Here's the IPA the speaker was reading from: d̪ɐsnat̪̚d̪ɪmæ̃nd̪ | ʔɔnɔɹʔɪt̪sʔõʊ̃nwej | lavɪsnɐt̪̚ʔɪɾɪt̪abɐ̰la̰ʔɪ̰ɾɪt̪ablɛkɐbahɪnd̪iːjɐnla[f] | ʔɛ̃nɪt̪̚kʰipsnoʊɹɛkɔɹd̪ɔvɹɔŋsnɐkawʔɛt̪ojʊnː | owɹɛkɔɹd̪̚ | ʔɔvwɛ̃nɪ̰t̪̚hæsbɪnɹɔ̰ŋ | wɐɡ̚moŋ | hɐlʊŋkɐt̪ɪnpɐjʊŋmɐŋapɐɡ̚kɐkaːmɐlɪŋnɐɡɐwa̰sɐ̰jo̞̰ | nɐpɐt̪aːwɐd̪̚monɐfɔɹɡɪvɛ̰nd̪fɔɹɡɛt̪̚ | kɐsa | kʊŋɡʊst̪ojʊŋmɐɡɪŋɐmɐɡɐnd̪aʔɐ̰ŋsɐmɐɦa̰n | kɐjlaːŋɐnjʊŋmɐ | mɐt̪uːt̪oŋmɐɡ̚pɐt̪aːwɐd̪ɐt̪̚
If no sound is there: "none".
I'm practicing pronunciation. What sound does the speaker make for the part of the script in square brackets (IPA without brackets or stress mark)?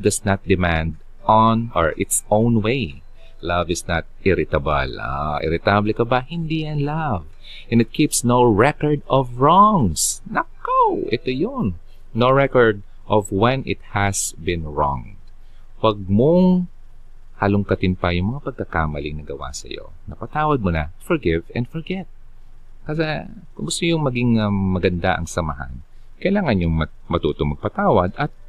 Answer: v